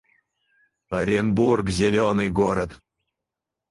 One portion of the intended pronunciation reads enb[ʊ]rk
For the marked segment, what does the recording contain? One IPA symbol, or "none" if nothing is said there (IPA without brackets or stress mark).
u